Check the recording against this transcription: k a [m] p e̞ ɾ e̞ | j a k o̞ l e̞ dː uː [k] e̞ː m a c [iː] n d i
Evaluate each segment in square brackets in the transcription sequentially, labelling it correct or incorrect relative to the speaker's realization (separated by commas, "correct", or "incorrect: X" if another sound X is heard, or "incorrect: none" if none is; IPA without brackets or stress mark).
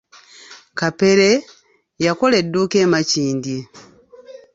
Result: incorrect: none, correct, correct